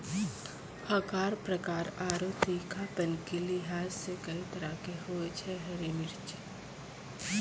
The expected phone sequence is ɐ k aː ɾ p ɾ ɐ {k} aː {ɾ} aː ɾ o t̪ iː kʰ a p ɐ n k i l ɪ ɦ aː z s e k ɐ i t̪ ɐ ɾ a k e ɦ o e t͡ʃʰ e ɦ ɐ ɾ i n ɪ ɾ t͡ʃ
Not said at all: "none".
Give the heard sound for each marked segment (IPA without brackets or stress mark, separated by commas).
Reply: k, ɾ